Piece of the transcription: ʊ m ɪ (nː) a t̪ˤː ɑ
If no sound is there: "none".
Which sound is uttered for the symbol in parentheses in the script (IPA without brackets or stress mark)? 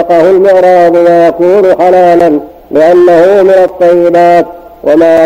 n